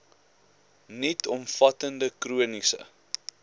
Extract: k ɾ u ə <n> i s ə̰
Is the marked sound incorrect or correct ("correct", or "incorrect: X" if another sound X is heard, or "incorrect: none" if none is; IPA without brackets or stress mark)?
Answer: correct